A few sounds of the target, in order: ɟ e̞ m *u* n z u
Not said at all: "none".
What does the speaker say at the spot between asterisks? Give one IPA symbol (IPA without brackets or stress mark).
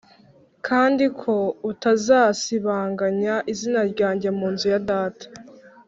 uː